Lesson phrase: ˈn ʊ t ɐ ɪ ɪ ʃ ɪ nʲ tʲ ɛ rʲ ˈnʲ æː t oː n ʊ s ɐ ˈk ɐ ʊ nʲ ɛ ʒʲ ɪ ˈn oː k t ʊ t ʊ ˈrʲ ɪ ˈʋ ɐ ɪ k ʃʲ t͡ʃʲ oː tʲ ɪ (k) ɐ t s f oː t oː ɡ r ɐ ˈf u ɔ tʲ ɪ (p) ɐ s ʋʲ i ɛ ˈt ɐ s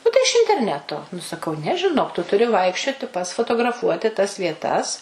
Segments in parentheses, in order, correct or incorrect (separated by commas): incorrect, incorrect